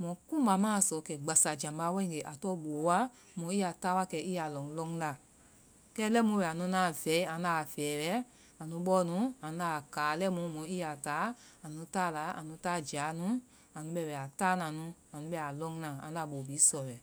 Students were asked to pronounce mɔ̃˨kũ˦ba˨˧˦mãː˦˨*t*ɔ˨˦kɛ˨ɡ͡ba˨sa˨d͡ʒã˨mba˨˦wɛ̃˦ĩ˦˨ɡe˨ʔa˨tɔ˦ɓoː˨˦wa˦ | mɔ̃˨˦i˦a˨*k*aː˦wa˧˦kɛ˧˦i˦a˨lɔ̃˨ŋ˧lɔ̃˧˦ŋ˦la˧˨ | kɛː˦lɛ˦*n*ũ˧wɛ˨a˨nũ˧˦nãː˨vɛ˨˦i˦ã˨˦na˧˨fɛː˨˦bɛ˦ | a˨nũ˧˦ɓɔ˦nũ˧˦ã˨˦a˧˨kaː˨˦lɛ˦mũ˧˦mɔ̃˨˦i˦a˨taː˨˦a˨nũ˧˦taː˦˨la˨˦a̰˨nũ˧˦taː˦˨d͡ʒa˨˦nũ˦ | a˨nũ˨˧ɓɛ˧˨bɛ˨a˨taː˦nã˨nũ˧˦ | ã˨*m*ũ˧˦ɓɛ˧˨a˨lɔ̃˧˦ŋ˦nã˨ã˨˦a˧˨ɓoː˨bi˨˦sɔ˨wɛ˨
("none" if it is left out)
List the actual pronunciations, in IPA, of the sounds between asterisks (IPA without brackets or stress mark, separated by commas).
s, t, m, n